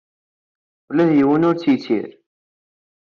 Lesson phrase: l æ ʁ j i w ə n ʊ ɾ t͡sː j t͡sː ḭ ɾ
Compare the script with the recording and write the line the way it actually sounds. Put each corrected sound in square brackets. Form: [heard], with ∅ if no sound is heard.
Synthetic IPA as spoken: l æ [ð] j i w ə n ʊ ɾ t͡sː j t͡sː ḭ ɾ